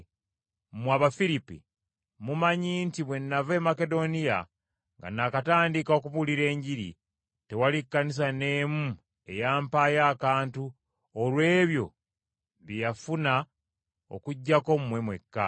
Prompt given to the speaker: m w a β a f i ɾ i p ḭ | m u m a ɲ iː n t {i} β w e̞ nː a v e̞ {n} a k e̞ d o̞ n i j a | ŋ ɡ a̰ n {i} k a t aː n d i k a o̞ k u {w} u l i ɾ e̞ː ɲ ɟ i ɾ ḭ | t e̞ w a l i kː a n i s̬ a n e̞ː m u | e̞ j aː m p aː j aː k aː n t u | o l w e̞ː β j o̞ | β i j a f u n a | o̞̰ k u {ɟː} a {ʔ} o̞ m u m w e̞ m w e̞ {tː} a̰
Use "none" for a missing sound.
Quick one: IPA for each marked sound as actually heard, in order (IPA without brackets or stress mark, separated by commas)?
i, m, a, β, ɟː, k, kː